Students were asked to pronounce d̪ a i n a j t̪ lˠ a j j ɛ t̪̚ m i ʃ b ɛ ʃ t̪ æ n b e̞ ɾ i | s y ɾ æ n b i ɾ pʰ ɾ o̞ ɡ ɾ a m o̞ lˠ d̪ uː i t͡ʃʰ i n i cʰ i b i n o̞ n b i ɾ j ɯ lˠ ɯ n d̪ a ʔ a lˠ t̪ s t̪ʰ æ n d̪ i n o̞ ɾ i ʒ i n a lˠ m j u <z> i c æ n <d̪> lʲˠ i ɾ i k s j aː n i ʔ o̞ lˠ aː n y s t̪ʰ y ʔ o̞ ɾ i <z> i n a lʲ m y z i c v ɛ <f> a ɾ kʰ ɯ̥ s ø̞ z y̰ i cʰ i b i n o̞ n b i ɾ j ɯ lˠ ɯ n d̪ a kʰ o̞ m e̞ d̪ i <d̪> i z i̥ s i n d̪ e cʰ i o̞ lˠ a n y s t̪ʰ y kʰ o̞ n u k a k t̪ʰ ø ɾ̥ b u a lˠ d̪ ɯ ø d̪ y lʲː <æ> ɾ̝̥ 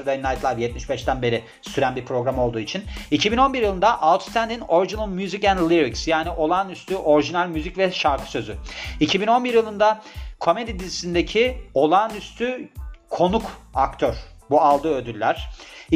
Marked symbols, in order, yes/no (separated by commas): yes, yes, no, no, yes, yes